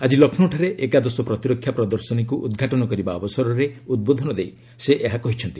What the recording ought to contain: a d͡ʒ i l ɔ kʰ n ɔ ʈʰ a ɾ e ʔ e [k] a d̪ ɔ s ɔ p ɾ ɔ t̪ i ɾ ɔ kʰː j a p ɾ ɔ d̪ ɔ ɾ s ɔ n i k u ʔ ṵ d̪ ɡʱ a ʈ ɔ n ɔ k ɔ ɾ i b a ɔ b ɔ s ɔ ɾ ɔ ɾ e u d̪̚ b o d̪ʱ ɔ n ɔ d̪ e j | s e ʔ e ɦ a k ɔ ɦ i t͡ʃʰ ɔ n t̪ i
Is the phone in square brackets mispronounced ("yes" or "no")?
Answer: no